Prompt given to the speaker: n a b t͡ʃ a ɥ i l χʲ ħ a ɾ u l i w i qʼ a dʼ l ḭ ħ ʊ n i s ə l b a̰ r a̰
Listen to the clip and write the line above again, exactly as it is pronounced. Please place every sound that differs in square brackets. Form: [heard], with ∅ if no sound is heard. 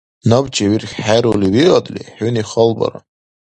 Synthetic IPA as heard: n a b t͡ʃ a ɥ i [r] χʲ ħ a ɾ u l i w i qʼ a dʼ l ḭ ħ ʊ n i [χ] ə l b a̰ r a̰